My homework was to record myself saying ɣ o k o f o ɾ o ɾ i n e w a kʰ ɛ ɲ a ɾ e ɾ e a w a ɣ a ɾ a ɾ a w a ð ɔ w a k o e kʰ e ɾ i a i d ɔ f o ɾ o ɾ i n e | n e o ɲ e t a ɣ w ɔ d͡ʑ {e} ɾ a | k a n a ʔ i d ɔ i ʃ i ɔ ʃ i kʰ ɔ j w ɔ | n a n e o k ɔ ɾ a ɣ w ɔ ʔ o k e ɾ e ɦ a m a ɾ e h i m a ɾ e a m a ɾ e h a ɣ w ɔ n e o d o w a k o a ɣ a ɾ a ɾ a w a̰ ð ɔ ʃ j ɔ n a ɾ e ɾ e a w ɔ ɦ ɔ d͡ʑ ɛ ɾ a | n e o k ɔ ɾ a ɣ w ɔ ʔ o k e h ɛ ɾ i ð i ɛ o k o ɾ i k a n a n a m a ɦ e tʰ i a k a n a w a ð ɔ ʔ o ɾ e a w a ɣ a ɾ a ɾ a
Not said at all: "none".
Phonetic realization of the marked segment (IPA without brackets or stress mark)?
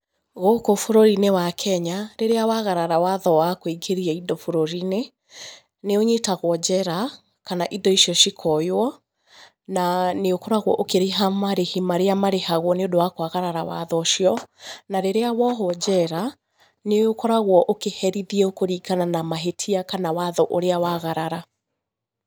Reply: ɛ